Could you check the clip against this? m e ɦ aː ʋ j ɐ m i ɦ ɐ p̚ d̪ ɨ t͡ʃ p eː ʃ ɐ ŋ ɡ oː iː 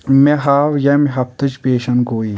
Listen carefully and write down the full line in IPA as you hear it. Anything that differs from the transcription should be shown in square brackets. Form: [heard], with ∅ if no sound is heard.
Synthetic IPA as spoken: m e ɦ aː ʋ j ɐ m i ɦ ɐ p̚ [t̪] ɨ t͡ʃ p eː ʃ ɐ [n] ɡ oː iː